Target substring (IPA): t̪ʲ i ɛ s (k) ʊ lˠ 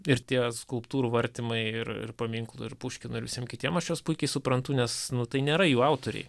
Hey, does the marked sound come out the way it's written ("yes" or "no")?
yes